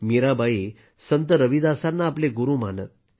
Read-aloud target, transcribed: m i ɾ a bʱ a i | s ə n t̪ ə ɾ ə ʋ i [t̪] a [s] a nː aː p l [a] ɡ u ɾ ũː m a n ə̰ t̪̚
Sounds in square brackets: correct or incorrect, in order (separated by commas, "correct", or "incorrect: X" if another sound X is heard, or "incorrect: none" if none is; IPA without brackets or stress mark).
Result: incorrect: d̪, correct, incorrect: e